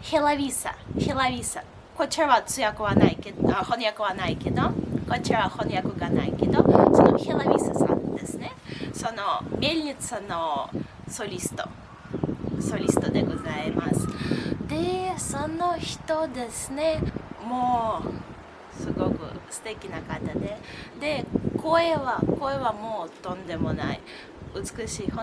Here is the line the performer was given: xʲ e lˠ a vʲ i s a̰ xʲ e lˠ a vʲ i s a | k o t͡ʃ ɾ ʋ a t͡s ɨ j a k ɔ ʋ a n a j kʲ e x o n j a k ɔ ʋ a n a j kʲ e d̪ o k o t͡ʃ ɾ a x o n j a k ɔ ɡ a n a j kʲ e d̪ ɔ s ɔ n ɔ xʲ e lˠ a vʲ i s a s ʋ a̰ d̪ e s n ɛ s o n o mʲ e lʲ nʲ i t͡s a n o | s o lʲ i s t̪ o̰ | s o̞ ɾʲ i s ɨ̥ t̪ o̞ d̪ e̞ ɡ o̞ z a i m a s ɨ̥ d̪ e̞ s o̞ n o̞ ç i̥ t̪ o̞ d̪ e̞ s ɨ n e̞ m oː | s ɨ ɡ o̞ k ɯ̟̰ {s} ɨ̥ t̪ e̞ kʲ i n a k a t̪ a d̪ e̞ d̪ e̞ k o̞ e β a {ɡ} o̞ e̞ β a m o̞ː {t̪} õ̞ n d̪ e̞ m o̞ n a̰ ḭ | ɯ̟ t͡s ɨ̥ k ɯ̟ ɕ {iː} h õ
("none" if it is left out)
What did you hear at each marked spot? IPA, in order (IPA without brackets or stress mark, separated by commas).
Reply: s, k, t̪, iː